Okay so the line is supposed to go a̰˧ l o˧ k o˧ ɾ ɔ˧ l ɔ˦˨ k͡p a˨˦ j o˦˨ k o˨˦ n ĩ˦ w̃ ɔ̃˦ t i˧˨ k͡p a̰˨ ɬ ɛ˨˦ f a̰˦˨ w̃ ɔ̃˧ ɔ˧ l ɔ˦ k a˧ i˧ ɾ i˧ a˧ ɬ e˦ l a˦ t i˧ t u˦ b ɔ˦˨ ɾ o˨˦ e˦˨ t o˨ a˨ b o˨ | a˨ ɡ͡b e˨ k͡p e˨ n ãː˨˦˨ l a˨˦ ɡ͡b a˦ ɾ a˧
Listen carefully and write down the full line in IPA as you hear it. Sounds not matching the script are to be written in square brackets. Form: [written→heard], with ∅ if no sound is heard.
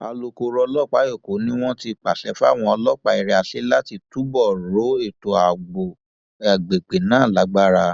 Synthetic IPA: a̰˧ l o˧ k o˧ ɾ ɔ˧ l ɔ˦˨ k͡p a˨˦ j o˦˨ k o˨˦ n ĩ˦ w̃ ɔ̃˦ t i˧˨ k͡p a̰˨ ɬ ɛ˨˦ f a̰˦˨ w̃ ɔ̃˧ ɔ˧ l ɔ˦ [k→k͡p] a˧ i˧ ɾ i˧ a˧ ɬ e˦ l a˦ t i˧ t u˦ b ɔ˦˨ ɾ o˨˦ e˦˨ t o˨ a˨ [b→ɡ͡b] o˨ | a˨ ɡ͡b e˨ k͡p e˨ n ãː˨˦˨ l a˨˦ ɡ͡b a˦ ɾ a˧